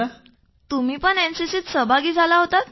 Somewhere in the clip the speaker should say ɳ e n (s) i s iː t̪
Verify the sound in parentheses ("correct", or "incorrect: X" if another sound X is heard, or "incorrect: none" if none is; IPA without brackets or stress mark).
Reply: correct